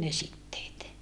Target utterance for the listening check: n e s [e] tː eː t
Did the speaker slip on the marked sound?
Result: yes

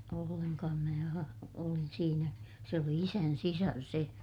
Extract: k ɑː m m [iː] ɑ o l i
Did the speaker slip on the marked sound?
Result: yes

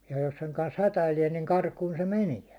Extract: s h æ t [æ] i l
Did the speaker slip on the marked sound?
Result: no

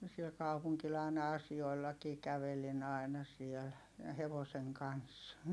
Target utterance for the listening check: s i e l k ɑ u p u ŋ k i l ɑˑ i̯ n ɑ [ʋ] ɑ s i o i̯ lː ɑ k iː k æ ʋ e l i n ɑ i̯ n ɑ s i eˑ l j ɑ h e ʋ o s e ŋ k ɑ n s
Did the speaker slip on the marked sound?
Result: yes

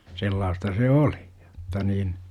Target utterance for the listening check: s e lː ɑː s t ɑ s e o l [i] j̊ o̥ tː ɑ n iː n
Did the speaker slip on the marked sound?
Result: no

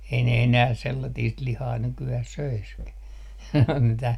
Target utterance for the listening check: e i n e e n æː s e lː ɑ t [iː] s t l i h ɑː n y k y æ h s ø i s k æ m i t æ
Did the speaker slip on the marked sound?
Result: no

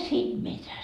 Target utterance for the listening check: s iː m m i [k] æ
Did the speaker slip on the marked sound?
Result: yes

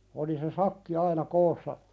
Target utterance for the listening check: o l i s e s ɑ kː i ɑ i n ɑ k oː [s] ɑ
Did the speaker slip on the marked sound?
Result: yes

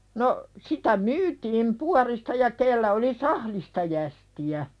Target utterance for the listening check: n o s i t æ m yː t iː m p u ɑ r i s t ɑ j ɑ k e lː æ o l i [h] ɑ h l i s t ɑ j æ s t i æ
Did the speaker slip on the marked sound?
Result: yes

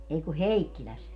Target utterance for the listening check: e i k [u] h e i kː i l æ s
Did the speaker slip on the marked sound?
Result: no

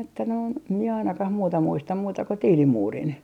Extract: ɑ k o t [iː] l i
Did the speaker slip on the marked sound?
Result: no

